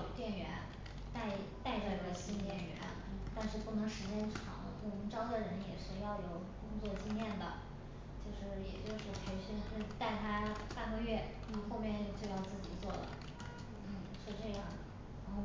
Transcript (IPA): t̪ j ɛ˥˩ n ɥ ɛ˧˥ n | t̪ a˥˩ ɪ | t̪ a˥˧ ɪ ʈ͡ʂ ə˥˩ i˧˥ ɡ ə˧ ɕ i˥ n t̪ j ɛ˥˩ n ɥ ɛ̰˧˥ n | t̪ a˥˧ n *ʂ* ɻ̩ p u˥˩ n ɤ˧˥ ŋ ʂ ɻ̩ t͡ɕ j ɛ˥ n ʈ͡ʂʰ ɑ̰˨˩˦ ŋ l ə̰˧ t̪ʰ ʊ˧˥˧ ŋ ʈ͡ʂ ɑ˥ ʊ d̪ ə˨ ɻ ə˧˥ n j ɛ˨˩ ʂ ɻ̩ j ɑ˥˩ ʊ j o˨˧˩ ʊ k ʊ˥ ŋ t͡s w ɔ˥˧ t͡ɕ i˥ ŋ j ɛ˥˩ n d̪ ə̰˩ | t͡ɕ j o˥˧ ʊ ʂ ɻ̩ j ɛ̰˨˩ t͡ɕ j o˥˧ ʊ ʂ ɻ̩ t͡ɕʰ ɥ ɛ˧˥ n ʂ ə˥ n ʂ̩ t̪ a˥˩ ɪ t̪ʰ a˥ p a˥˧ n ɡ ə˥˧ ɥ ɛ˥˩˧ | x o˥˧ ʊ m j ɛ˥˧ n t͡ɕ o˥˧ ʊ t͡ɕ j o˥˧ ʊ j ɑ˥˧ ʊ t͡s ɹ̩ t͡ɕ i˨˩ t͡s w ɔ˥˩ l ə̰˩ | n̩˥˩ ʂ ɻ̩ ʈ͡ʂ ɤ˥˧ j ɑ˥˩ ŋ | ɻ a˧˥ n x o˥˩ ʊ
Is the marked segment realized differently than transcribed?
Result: no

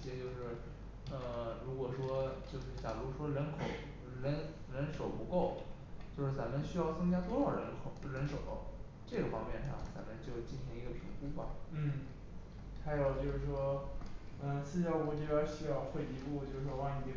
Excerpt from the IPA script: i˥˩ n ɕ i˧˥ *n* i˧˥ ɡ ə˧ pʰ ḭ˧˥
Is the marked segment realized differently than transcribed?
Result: yes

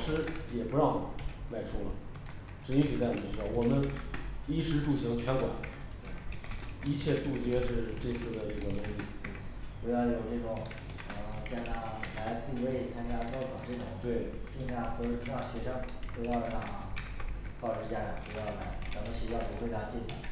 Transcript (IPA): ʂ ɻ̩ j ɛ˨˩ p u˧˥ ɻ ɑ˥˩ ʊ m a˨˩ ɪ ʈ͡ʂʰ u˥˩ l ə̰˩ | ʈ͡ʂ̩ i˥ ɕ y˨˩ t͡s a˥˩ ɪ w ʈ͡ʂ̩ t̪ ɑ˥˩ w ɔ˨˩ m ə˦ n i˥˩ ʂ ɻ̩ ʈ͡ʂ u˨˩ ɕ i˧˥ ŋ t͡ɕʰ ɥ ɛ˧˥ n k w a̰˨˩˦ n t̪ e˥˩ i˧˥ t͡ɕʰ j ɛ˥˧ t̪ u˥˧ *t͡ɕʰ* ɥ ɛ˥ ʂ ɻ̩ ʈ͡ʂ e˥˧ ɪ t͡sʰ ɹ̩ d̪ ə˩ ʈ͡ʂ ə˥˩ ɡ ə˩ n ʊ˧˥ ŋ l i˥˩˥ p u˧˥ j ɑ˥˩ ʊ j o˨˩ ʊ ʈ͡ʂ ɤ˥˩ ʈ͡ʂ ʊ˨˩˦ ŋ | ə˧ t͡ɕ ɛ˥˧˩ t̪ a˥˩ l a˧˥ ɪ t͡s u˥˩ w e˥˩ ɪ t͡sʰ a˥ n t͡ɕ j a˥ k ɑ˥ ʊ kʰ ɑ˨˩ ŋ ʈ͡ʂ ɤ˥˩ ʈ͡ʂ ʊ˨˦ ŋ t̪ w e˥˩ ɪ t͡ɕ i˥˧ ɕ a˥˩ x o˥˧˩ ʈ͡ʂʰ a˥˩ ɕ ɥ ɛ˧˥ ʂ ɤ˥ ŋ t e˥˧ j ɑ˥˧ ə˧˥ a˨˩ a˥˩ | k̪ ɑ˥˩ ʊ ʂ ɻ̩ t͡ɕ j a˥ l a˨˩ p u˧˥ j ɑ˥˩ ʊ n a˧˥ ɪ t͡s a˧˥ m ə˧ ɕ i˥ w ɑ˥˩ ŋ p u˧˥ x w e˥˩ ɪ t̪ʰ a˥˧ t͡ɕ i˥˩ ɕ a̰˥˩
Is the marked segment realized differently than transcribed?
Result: yes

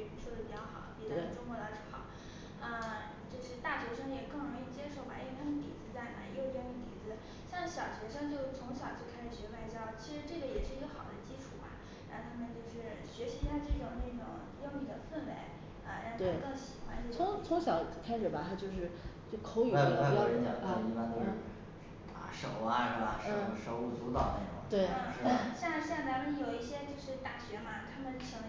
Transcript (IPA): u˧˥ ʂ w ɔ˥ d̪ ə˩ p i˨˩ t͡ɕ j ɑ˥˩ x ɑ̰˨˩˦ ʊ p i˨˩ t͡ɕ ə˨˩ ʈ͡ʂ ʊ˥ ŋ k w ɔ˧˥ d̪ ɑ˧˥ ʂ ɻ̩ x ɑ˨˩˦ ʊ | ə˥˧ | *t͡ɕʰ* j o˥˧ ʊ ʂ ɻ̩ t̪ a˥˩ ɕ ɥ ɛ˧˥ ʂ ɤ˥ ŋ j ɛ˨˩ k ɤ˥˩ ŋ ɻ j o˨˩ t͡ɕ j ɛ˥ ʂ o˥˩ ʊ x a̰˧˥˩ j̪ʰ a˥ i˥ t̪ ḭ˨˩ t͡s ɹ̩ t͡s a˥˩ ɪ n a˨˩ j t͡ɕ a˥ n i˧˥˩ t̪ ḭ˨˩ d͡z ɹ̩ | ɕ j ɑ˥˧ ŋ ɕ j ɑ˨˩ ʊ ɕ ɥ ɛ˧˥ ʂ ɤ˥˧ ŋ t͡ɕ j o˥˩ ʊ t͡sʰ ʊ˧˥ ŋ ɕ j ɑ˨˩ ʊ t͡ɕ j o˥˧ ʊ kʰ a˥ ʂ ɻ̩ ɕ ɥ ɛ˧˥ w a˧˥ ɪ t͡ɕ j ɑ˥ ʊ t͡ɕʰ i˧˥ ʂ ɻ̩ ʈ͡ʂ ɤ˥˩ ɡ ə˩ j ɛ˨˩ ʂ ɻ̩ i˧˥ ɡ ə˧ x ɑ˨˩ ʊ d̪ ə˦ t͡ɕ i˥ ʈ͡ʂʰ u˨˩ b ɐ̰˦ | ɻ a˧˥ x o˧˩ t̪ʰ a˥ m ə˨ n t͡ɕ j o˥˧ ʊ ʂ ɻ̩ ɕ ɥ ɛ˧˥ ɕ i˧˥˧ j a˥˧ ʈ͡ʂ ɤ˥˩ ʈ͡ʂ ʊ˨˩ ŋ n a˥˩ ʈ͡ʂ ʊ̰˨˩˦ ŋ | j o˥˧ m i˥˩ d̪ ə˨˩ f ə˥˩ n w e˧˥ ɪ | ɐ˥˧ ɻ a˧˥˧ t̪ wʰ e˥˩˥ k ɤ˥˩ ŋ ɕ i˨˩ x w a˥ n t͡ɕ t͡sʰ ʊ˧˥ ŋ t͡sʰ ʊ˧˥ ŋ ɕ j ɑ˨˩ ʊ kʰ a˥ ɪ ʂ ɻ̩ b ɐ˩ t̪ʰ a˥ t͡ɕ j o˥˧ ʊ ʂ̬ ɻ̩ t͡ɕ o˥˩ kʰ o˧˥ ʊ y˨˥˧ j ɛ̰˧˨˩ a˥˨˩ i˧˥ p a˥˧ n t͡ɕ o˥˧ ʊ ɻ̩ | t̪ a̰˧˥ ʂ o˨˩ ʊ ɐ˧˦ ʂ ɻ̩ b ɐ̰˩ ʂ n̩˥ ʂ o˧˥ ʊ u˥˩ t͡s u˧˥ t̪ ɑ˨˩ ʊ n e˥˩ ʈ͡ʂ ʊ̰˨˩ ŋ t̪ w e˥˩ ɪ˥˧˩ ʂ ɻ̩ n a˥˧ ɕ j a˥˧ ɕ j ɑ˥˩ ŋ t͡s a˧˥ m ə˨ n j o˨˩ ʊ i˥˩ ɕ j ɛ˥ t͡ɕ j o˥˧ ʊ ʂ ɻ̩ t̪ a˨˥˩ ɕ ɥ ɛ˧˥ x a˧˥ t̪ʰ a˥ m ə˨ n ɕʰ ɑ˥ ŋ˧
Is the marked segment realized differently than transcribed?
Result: yes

